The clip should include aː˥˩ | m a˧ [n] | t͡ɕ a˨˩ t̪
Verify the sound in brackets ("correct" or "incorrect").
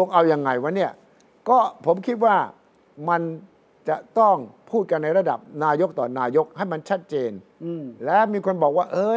correct